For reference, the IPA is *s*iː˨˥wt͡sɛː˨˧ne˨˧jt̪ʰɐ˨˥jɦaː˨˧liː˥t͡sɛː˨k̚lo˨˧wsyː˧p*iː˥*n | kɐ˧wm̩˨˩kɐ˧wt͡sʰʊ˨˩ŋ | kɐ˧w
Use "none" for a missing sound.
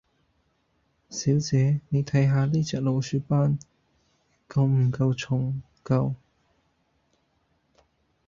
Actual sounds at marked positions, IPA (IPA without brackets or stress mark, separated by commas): s, aː˥